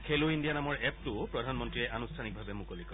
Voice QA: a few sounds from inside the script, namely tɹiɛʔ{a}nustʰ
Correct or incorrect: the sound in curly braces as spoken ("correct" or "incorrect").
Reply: correct